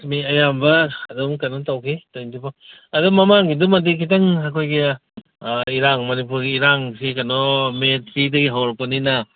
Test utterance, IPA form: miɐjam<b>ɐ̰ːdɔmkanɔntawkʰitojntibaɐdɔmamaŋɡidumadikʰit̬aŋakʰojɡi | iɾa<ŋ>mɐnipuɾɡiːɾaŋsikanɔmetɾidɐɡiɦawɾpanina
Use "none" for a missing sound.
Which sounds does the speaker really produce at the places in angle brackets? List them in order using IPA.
b, ŋ

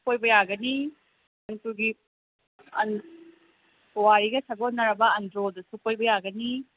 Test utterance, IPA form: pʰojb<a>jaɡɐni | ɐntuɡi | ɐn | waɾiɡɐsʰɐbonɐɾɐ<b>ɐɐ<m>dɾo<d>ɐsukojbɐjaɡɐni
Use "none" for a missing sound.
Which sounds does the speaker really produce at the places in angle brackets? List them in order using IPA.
ɐ, b, n, d

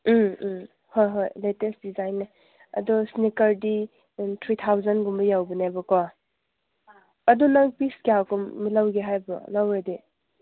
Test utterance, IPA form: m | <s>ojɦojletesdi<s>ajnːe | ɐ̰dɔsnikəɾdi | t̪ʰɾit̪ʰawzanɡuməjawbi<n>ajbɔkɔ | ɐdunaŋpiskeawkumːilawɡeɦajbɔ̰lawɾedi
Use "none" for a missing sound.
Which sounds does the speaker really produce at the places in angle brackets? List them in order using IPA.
h, z, n

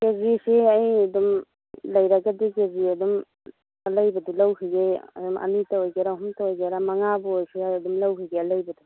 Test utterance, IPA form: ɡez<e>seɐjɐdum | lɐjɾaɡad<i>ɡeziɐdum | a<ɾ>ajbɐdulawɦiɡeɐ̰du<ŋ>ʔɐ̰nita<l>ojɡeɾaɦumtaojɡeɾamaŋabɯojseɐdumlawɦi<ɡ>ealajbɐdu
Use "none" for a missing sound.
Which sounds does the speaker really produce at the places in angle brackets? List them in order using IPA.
i, i, l, m, none, ɡ

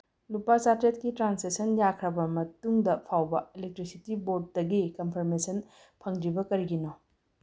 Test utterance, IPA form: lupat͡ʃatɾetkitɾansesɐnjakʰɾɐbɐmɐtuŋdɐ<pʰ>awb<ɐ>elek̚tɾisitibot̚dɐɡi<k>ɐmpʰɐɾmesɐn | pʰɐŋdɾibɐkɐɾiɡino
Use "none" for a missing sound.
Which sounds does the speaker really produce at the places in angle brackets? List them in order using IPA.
pʰ, ɐ, k

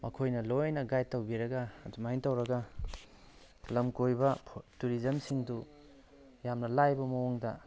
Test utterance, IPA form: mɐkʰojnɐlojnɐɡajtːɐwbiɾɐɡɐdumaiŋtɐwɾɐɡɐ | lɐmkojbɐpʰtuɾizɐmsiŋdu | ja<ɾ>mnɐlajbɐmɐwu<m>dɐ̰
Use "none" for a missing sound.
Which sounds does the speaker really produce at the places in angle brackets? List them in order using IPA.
none, ŋ

